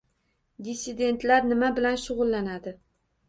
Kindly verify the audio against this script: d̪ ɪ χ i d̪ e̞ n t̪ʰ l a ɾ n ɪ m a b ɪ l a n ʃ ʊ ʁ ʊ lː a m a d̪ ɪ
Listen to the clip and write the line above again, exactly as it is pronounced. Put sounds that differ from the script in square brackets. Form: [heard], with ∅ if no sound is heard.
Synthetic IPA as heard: d̪ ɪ [s] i d̪ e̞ n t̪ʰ l a ɾ n ɪ m a b ɪ l a n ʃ ʊ ʁ ʊ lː a [n] a d̪ ɪ

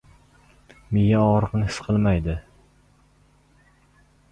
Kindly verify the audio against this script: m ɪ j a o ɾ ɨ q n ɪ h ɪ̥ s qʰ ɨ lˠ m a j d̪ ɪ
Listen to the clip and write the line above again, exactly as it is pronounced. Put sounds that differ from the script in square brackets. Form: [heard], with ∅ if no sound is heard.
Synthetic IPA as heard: m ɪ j a [ɒ] ɾ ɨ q n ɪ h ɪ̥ s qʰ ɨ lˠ m a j d̪ ɪ

